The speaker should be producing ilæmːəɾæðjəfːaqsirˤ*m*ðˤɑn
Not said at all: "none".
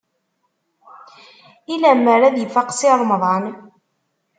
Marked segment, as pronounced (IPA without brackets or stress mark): m